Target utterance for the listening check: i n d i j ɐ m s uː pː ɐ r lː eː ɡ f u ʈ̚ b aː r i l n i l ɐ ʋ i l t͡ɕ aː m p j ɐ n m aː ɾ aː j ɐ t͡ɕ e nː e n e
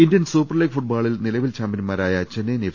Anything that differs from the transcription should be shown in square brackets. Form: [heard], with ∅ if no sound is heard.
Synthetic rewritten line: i n d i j ɐ [n] s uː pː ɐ r [l] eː ɡ f u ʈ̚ b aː [ɭ] i l n i l ɐ ʋ i l t͡ɕ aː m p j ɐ n m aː ɾ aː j ɐ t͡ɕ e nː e n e